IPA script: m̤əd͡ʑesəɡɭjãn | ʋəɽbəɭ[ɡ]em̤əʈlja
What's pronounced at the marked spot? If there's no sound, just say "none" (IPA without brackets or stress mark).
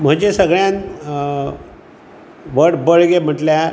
ɡ